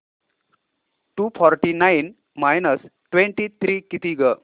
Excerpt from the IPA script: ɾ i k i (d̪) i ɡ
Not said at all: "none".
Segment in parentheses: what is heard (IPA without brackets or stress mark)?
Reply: t̪